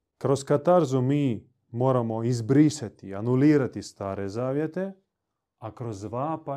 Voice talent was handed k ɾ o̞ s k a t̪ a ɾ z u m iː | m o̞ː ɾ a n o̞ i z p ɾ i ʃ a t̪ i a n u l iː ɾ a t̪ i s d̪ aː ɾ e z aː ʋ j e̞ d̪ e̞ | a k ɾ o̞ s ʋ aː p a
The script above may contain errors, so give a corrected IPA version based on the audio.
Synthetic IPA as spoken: k ɾ o̞ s k a t̪ a ɾ z u m iː | m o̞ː ɾ a m o̞ i z b ɾ i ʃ a t̪ i a n u l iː ɾ a t̪ i s t̪ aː ɾ e z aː ʋ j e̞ t̪ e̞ | a k ɾ o̞ z ʋ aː p a